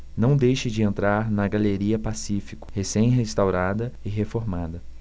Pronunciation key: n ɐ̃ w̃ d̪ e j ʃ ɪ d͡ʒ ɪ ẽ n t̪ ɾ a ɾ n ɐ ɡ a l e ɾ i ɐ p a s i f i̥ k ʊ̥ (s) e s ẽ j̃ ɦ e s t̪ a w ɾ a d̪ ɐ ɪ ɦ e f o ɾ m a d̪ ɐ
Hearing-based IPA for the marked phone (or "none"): h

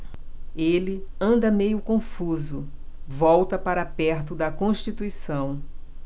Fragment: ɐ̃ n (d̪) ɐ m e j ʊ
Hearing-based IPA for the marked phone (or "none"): d̪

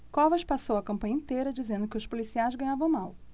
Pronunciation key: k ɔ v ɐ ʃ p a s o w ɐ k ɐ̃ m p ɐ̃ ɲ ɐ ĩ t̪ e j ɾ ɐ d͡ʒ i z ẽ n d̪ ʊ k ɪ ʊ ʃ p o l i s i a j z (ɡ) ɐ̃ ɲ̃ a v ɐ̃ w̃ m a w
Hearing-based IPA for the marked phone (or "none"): ɡ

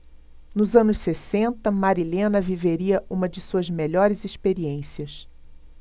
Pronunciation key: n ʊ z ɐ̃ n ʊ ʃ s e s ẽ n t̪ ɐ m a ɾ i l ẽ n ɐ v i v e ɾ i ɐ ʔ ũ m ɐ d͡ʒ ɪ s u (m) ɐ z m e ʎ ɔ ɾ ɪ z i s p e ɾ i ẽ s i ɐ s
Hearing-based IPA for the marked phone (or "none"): none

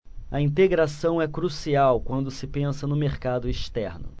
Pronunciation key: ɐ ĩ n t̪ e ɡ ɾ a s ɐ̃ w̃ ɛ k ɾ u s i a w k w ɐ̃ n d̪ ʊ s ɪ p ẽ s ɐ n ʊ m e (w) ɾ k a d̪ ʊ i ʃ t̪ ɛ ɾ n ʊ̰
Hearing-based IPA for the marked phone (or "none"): none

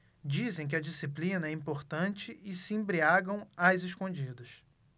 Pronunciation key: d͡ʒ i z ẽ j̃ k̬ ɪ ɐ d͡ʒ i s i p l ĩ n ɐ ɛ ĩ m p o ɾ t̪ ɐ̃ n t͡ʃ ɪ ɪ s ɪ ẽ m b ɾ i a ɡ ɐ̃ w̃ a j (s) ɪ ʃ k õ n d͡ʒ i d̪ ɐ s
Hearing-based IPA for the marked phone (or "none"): z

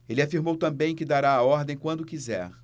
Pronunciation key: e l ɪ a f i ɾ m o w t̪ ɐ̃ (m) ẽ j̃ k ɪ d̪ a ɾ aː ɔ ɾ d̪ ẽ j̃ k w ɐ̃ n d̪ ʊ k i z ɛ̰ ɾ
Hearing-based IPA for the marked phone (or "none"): b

